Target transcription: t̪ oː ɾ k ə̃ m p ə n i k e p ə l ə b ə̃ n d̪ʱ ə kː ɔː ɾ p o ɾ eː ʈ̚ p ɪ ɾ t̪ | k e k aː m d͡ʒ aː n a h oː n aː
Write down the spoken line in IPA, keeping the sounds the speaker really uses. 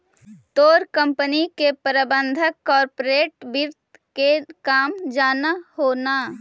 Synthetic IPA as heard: t̪ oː ɾ k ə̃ m p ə n i k e p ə ɾ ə b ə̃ n d̪ʱ ə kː ɔː ɾ p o ɾ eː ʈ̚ b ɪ ɾ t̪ | k e k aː m d͡ʒ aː n a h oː n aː